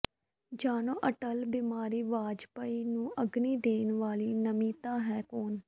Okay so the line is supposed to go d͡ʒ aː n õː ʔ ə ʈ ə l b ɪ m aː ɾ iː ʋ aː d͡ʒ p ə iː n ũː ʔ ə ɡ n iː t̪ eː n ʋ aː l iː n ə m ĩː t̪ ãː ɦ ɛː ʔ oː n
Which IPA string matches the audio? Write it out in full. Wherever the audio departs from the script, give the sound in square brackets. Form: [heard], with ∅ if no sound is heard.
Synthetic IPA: d͡ʒ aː n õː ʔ ə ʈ ə l b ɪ m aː ɾ iː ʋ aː d͡ʒ p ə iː n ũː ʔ ə ɡ n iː [d̪] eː n ʋ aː l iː n ə m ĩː t̪ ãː ɦ ɛː [k] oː n